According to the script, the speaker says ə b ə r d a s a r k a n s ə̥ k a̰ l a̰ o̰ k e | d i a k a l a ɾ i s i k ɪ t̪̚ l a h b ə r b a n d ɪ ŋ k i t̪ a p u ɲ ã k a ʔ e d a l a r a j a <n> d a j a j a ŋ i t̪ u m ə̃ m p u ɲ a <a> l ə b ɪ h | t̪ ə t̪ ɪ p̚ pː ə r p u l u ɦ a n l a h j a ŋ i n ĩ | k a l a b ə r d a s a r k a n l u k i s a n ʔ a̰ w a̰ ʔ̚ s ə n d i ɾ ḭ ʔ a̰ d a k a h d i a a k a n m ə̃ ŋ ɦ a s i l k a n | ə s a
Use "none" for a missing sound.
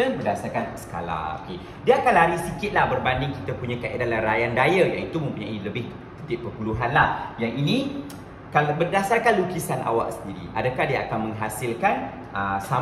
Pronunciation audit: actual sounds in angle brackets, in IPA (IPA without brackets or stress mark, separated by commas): n, i